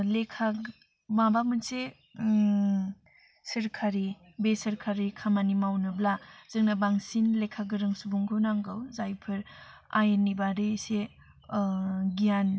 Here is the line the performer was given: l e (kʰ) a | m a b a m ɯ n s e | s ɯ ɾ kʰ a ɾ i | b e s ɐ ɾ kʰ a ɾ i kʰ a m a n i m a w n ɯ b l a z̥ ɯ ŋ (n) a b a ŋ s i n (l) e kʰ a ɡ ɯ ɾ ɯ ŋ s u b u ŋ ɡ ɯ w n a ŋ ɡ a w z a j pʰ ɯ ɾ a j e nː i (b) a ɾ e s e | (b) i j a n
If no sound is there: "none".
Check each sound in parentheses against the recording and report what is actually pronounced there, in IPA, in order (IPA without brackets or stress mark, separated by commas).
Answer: kʰ, n, l, b, ɡ